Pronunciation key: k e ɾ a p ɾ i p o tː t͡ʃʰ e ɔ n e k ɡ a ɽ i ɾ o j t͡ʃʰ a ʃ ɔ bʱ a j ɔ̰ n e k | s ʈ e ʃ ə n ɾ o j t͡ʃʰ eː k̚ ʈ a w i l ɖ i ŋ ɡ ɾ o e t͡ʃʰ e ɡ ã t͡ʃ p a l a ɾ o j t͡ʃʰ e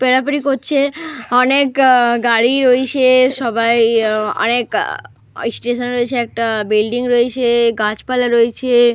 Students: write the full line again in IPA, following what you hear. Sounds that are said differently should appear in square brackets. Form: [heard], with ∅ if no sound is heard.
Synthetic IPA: [p] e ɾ a p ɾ i [k] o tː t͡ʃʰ e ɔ n e k ɡ a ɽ i ɾ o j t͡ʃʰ [e] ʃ ɔ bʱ a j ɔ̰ n e k | s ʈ e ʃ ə n ɾ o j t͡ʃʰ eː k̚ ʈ a [b] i l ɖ i ŋ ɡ ɾ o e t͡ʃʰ e ɡ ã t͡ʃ p a l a ɾ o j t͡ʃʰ e